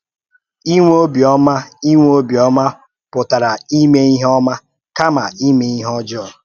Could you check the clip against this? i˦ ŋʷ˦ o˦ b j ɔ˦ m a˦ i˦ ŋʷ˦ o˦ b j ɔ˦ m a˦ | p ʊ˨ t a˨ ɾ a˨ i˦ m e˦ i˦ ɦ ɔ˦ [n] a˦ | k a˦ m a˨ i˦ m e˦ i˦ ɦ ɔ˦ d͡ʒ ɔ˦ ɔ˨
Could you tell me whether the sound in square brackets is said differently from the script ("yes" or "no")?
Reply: yes